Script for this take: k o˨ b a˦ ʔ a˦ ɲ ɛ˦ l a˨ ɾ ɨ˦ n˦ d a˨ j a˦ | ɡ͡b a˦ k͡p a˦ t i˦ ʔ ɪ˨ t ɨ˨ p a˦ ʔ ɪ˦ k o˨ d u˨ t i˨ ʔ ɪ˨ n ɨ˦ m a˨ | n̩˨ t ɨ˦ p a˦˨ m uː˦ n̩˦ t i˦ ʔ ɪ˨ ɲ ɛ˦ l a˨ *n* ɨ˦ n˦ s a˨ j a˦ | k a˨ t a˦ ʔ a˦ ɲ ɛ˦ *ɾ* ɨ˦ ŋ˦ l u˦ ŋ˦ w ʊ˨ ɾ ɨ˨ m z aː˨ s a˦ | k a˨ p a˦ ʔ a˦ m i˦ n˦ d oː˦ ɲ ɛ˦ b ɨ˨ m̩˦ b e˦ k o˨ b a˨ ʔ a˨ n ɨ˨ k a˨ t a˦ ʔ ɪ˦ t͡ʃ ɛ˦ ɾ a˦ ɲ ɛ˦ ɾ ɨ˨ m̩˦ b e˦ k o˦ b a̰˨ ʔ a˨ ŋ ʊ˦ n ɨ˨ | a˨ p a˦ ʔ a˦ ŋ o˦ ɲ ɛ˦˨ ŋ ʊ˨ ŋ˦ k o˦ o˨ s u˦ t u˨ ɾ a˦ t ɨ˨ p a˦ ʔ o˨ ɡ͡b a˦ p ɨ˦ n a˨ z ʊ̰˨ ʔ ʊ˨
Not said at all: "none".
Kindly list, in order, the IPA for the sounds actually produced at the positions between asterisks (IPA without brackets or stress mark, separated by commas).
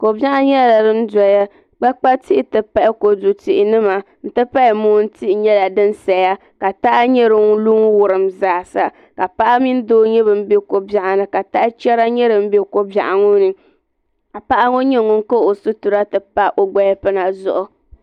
d, ɾ